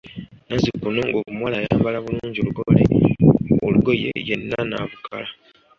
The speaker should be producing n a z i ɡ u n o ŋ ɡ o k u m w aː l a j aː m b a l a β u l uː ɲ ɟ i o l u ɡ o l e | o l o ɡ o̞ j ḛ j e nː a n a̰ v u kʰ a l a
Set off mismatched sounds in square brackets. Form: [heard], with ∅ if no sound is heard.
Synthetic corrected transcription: n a z i [k] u n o ŋ ɡ o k u m w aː l a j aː m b a l a β u l uː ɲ ɟ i o l u ɡ o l e | o l [u] ɡ o̞ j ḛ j e nː a n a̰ v u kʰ a l a